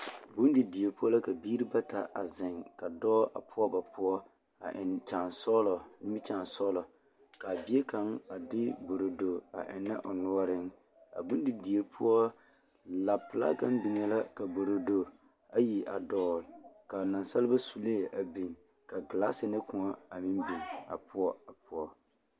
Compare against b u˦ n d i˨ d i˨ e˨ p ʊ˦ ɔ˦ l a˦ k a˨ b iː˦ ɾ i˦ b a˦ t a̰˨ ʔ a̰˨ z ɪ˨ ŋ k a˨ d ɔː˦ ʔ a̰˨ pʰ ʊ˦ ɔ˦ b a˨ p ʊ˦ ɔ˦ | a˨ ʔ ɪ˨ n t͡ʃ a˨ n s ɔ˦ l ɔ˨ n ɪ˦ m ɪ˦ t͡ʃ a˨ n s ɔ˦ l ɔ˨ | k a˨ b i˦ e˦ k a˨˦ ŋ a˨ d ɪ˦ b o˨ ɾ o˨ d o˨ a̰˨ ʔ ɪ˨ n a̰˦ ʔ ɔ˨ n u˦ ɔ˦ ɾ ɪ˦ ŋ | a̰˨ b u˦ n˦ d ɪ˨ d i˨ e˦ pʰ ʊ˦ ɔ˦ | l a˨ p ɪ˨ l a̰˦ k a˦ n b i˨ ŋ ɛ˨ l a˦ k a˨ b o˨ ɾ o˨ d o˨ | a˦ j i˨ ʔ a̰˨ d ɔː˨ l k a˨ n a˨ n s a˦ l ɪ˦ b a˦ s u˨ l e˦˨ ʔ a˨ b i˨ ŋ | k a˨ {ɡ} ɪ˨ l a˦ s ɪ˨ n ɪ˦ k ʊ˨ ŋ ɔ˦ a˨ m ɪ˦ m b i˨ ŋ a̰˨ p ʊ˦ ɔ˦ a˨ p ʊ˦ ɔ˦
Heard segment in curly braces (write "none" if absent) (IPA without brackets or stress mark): ɡ